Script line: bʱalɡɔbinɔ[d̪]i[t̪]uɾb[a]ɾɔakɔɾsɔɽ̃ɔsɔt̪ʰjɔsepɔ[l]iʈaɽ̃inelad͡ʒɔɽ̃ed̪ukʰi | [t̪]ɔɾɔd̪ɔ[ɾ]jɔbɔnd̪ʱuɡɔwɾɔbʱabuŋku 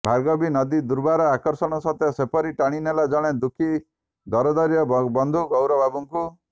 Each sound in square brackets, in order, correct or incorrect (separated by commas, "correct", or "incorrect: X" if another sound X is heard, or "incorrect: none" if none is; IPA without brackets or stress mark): correct, incorrect: d̪, correct, incorrect: ɾ, incorrect: d̪, correct